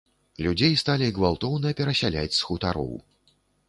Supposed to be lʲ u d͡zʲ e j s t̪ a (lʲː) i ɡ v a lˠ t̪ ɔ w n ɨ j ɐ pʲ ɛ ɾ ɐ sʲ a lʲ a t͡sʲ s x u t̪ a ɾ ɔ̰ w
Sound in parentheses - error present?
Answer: yes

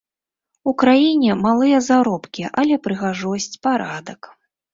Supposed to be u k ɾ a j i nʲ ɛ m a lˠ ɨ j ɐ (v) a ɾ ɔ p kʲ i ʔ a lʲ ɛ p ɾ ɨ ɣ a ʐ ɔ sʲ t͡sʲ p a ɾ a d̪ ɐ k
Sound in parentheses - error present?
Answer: yes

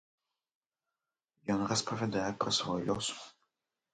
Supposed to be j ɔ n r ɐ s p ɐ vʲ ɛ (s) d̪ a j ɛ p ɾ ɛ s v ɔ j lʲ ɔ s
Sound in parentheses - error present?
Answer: yes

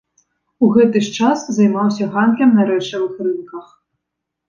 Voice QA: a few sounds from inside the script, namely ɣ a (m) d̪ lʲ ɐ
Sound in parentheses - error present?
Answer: yes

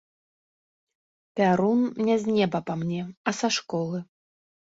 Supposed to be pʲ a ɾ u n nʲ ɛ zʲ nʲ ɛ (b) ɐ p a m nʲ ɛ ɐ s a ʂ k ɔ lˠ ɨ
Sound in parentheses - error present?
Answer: no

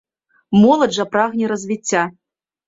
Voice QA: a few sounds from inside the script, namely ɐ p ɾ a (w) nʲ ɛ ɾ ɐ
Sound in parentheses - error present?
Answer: yes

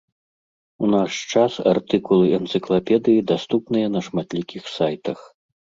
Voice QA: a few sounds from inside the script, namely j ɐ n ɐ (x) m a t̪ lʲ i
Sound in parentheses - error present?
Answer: yes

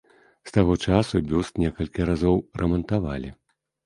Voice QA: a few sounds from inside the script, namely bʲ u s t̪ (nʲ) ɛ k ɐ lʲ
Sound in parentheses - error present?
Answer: no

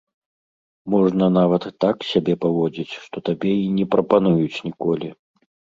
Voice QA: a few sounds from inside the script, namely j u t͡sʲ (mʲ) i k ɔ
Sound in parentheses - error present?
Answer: yes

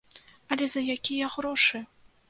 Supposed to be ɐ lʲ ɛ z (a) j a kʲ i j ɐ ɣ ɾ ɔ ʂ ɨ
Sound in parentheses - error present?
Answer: yes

